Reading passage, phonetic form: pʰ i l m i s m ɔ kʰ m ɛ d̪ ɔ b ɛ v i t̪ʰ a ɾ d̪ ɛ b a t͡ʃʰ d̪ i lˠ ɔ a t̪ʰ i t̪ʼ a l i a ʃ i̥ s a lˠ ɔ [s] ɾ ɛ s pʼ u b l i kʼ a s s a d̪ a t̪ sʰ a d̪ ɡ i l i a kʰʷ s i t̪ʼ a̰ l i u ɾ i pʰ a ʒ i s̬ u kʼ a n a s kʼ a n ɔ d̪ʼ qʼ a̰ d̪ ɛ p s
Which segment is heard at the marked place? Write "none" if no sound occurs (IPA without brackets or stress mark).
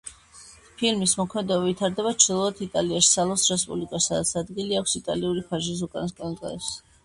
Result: s